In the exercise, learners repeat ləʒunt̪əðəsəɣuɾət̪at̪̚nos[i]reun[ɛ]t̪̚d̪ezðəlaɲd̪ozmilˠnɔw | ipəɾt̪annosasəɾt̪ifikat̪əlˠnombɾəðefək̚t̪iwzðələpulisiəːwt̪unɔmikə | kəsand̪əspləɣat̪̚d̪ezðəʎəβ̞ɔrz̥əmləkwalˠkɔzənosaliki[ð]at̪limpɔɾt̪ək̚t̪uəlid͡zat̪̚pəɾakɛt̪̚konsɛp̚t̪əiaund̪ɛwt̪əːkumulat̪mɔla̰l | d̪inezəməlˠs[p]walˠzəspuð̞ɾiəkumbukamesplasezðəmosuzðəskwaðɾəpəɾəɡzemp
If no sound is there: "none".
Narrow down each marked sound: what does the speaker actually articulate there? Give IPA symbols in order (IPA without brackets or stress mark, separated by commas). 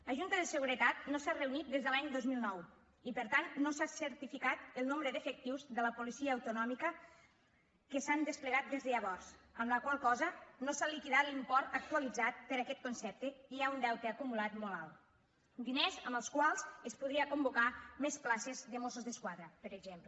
a, i, ð, k